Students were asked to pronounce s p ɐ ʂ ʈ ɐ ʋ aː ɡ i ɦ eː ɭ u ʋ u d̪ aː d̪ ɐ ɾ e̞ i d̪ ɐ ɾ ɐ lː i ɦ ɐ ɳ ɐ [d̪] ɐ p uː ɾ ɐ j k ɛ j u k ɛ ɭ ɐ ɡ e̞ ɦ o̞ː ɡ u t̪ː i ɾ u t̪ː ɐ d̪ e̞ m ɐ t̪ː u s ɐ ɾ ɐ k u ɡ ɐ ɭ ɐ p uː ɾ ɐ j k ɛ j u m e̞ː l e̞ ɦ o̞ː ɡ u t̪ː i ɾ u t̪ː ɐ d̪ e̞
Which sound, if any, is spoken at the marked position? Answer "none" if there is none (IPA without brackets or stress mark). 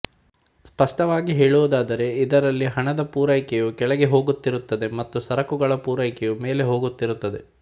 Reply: d̪